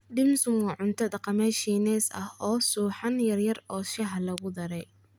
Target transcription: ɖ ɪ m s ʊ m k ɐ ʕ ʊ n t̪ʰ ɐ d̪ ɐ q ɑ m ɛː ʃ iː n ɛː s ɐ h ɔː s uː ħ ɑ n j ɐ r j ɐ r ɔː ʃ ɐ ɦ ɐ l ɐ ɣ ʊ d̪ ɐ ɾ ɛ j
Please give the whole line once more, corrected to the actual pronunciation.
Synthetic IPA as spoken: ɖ ɪ m s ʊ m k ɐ ʕ ʊ n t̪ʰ ɐ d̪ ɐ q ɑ m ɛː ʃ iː n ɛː s ɐ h ɔː s uː ħ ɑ n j ɐ r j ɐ r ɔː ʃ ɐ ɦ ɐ l ɐ ɣ ʊ d̪ ɐ ɾ ɛ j